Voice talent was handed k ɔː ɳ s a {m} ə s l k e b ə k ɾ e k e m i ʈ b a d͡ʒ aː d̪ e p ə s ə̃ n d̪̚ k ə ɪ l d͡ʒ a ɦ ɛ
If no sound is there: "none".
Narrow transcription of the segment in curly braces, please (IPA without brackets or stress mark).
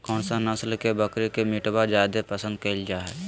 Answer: n